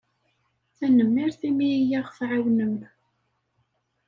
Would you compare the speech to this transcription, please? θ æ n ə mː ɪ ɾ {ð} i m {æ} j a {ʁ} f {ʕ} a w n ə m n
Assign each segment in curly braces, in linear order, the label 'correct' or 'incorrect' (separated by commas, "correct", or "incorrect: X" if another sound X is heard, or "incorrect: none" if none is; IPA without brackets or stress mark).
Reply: incorrect: θ, incorrect: i, correct, correct